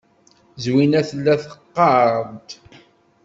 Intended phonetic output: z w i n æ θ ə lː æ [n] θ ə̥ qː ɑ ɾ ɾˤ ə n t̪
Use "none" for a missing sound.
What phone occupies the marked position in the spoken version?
none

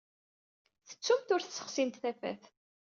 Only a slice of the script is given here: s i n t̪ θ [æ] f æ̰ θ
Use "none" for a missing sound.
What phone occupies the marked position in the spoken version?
æ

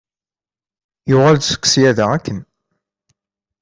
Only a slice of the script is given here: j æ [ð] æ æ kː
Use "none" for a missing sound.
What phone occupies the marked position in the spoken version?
ð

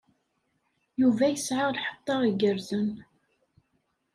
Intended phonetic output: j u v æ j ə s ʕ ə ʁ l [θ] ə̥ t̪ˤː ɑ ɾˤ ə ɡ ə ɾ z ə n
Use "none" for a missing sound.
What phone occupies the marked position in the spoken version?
ħ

